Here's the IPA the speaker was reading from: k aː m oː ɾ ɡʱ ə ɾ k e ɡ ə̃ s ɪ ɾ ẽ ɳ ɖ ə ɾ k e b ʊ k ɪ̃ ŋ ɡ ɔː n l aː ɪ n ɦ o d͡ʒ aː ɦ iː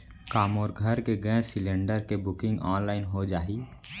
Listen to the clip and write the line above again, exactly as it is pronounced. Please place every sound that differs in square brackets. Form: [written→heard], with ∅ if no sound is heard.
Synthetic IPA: k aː m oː ɾ ɡʱ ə ɾ k e ɡ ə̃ s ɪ [ɾ→l] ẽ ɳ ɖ ə ɾ k e b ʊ k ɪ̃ ŋ ɡ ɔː n l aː ɪ n ɦ o d͡ʒ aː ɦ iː